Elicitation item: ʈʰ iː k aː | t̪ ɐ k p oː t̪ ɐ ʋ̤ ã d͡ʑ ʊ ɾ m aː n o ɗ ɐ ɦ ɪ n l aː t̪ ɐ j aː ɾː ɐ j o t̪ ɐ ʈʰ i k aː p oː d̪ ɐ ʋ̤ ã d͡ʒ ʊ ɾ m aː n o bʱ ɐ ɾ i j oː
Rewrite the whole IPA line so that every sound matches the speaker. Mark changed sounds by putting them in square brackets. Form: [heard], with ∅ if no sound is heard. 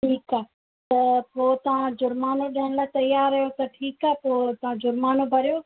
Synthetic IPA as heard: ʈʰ iː k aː | t̪ ɐ [∅] p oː t̪ ɐ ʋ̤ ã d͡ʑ ʊ ɾ m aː n o ɗ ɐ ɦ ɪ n l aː t̪ ɐ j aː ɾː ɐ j o t̪ ɐ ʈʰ [iː] k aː p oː [t̪] ɐ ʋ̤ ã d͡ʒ ʊ ɾ m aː n o bʱ ɐ ɾ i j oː